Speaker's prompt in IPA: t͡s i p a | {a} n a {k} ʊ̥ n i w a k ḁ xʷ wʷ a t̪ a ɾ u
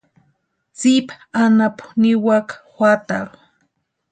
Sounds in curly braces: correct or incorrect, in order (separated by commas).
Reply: correct, incorrect